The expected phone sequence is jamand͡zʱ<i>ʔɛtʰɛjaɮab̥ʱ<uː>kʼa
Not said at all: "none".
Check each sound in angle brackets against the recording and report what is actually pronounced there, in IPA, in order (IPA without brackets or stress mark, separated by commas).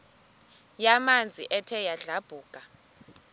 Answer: i, uː